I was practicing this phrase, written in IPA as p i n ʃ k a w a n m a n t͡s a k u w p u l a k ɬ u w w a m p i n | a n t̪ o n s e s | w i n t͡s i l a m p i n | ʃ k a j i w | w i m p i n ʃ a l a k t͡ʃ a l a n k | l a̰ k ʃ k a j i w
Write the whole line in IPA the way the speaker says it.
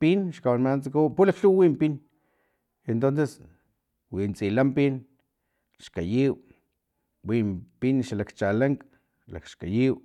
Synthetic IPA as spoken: p i n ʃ k a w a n m a n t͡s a k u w p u l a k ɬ u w w i m p i n | e n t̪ o n s e s | w i n t͡s i l a m p i n | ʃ k a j i w | w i m p i n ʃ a l a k t͡ʃ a l a ŋ k | l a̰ k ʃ k a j i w